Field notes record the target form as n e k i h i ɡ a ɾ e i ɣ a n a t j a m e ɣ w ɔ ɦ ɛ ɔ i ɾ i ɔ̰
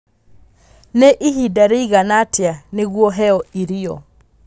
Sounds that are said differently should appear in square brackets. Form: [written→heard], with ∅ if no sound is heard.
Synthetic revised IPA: n e [k→ʔ] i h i [ɡ→d] a ɾ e i ɣ a n a t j a [m→n] e ɣ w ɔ ɦ ɛ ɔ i ɾ i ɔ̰